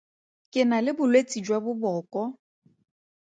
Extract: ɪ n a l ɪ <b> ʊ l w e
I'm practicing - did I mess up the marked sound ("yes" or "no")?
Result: no